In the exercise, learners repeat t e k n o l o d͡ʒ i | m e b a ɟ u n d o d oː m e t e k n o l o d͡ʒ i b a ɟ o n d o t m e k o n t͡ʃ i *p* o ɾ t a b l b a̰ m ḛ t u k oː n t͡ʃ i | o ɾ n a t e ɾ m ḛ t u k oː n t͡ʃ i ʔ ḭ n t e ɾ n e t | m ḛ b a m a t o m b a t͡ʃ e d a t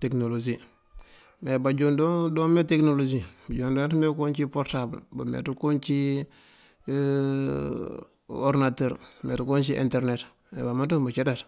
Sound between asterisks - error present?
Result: no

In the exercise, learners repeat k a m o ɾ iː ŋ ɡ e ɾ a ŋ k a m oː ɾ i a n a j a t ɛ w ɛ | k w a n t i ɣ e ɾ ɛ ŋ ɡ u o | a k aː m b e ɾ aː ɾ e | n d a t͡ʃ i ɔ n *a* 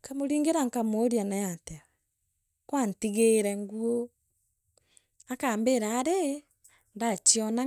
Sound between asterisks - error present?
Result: no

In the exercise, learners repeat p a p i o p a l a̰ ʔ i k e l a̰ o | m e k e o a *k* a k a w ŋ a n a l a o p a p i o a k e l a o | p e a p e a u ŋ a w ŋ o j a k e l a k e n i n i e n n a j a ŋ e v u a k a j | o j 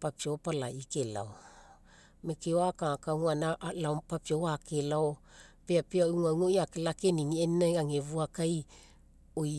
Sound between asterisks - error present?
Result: no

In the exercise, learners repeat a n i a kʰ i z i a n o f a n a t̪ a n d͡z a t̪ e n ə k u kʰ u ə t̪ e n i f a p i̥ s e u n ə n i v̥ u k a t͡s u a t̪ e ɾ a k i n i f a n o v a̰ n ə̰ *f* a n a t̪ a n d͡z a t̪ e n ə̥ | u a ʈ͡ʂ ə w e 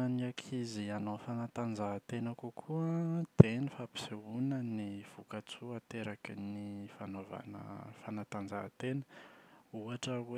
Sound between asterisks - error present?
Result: no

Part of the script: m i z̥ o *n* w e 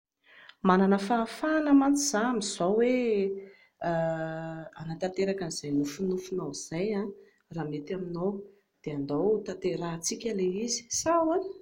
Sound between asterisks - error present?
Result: yes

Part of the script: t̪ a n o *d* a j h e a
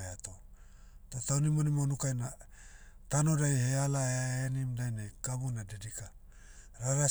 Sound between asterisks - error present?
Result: no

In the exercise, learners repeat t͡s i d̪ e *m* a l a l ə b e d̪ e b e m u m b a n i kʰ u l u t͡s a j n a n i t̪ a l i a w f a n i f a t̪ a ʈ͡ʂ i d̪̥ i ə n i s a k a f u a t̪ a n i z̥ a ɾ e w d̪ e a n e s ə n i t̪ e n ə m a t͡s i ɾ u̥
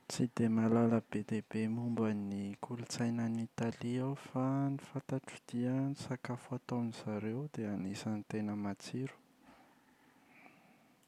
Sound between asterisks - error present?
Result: no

